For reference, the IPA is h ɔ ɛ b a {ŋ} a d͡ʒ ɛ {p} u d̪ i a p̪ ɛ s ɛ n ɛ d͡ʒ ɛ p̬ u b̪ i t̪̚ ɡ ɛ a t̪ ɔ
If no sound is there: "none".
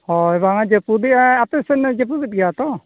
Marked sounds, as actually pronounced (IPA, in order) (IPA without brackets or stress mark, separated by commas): ŋ, p